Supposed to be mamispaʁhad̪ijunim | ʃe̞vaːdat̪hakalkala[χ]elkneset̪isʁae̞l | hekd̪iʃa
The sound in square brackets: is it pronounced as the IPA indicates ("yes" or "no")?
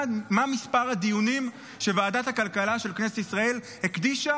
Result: no